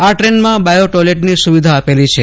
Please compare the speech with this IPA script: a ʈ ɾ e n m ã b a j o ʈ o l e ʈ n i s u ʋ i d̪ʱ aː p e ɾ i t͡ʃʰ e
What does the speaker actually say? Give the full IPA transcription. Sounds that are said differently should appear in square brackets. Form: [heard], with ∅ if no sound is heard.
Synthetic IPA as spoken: a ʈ ɾ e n m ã b a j o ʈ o l e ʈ n i s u ʋ i d̪ʱ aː p e [l] i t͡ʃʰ e